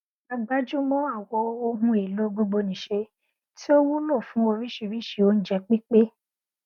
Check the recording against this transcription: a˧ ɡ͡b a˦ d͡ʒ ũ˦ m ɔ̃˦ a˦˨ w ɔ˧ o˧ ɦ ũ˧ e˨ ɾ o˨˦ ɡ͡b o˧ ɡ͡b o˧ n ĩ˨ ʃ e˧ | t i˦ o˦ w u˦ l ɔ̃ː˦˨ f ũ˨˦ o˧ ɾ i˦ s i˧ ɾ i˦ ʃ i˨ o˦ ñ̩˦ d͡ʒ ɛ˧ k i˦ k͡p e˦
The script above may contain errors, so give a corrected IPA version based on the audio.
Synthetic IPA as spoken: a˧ ɡ͡b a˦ d͡ʒ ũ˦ m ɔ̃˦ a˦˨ w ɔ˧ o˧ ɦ ũ˧ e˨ l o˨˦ ɡ͡b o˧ ɡ͡b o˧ n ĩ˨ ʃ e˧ | t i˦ o˦ w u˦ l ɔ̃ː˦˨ f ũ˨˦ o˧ ɾ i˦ ʃ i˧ ɾ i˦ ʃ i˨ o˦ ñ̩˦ d͡ʒ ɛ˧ k͡p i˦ k͡p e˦